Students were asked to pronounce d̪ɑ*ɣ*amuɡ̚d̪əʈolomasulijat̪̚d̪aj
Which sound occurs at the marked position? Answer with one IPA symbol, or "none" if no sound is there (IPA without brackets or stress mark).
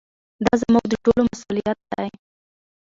z